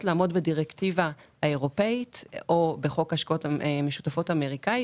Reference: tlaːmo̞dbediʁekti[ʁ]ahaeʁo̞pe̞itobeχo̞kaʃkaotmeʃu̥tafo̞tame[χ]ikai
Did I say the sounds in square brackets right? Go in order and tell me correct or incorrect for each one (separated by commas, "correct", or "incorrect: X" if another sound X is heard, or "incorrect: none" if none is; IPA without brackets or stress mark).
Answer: incorrect: v, incorrect: ʁ